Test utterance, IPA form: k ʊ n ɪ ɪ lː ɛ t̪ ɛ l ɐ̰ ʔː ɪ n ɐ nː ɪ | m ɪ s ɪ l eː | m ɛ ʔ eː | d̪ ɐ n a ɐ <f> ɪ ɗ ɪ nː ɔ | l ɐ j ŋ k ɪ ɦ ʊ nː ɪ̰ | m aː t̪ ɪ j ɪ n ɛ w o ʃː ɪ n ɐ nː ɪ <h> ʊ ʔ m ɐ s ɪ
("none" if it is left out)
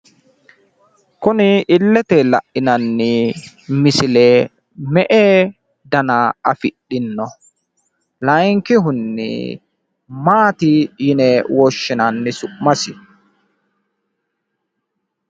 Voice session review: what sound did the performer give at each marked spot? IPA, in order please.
f, s

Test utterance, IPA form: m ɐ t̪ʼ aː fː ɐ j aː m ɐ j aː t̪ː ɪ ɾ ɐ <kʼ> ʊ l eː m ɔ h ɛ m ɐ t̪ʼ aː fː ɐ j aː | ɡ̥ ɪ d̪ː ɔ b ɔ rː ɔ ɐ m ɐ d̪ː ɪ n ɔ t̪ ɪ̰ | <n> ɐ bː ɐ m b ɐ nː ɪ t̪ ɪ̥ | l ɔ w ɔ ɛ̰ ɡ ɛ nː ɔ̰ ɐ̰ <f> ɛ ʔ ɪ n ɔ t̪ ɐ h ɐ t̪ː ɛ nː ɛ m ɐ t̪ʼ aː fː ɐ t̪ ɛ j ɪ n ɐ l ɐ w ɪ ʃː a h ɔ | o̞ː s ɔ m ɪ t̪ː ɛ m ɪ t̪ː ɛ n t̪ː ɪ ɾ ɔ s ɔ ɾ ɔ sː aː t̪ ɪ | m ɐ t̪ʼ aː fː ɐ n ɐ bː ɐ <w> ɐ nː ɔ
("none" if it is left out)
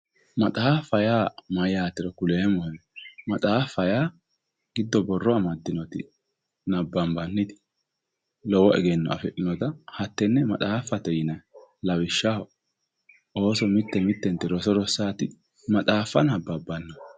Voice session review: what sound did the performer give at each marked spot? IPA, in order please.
k, n, f, b

